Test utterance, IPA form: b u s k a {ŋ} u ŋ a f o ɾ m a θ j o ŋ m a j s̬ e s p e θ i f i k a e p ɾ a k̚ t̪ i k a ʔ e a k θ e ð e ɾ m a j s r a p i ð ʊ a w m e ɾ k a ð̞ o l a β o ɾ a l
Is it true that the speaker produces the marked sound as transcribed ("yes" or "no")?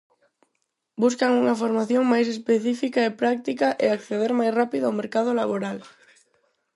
yes